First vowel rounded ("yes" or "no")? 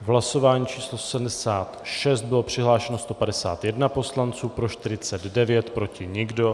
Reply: no